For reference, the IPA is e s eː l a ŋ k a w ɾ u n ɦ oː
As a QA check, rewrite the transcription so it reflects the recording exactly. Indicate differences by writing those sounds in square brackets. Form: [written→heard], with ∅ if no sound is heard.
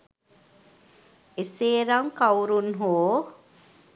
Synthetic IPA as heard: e s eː [l→ɾ] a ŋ k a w ɾ u n ɦ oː